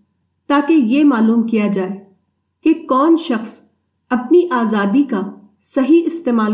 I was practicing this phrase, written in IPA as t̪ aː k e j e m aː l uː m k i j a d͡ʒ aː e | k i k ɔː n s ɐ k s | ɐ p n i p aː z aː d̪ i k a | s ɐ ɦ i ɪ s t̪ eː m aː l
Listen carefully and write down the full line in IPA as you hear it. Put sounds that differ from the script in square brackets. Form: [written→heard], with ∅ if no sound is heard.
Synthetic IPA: t̪ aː k e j e m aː l uː m k i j a d͡ʒ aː e | k [i→e] k ɔː n [s→ʃ] ɐ [k→x] s | ɐ p n i [p→ʔ] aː z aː d̪ i k a | s ɐ ɦ i ɪ s t̪ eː m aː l